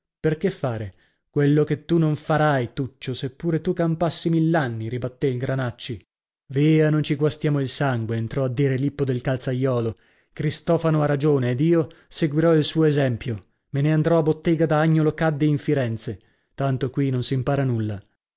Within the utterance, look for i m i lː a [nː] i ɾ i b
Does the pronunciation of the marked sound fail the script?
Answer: no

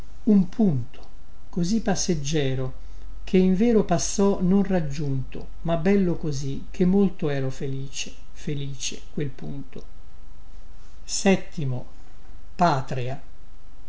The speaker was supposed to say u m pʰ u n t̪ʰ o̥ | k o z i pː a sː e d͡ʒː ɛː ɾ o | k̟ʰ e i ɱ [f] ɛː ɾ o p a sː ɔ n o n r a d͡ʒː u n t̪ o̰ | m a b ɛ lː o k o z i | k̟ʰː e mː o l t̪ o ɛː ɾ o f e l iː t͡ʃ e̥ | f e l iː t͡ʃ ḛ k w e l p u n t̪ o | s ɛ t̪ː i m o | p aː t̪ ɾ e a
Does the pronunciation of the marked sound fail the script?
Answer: yes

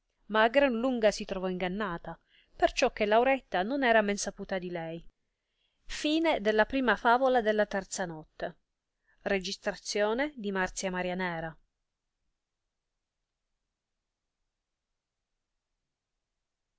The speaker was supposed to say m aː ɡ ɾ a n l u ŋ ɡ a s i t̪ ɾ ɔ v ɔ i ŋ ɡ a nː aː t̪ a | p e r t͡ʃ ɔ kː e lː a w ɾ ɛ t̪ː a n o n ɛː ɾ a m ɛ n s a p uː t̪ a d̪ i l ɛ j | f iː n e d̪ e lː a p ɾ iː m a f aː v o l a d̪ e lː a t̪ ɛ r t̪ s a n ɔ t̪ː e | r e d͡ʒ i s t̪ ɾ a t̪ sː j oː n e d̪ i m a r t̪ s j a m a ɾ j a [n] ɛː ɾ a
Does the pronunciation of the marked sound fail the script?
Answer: no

